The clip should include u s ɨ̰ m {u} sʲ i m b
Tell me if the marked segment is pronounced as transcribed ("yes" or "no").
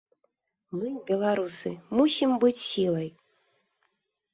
yes